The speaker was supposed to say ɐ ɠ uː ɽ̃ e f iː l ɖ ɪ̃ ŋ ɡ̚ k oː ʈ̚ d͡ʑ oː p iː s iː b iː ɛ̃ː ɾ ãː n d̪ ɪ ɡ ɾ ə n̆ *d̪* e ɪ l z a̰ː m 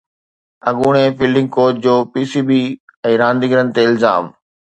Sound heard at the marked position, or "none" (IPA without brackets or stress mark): t̪